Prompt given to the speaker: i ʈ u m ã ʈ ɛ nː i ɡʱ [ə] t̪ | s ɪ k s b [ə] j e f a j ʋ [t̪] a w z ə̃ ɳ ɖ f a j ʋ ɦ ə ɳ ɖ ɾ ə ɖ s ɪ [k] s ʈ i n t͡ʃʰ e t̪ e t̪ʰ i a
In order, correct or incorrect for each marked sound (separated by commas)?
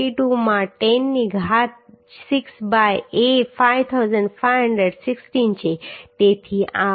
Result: incorrect, incorrect, incorrect, correct